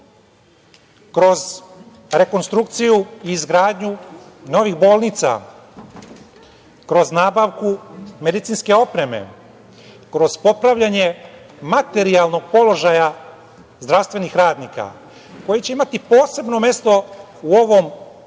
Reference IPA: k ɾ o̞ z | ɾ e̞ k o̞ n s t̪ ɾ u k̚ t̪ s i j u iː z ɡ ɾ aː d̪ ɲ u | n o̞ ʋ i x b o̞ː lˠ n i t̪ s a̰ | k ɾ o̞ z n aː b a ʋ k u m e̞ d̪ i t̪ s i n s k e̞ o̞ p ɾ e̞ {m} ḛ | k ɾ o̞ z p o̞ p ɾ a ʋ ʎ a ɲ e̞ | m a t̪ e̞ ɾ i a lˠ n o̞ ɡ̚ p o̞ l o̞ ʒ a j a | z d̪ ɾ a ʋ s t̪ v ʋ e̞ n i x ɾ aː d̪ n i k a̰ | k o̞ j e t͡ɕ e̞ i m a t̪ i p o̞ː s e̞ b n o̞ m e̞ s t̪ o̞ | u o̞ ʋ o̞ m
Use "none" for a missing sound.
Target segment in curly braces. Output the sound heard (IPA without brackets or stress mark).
m